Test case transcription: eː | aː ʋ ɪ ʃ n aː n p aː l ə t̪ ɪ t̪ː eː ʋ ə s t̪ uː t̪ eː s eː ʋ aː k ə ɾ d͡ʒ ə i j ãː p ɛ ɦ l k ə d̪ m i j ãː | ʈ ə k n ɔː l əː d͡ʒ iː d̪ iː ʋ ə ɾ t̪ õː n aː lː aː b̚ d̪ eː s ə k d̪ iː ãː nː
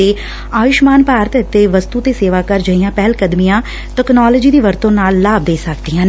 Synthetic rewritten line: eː | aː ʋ ɪ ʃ m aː n p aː ɾ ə t̪ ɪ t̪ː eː ʋ ə s t̪ uː t̪ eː s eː ʋ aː k ə ɾ d͡ʒ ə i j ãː p ɛ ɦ l k ə d̪ m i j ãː | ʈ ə k n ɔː l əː d͡ʒ iː d̪ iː ʋ ə ɾ t̪ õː n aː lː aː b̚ d̪ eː s ə k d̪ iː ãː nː